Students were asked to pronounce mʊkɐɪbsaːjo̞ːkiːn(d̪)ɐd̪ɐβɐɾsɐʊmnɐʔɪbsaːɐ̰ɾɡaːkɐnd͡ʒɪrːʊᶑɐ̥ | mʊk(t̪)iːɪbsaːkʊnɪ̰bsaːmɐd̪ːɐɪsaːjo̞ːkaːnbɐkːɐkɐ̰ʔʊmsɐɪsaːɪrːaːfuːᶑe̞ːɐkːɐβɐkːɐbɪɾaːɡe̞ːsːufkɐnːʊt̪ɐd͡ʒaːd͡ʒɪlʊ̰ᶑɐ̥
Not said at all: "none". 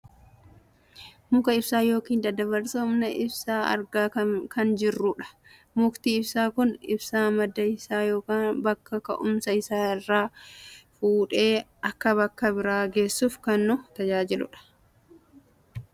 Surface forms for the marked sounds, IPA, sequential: d̪, t̪

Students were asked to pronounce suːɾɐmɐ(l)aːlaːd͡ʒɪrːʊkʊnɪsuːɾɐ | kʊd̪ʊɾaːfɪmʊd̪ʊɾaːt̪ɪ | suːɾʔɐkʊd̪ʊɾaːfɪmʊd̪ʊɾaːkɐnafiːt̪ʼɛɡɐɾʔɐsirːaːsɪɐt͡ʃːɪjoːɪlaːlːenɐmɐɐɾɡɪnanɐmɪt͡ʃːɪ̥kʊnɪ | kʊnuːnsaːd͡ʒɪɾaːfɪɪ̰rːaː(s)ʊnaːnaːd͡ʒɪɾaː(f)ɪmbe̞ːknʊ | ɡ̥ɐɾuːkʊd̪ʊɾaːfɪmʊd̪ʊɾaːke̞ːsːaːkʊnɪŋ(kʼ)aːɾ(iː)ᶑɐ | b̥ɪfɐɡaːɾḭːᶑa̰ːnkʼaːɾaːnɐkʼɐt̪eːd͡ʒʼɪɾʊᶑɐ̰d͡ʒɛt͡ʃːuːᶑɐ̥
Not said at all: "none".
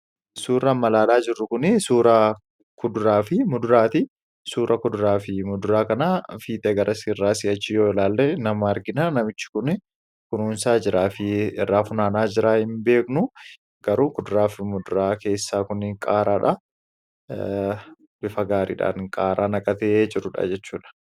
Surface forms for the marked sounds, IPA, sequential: l, f, h, kʼ, aː

